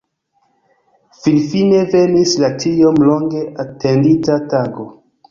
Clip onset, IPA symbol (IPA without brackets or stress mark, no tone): f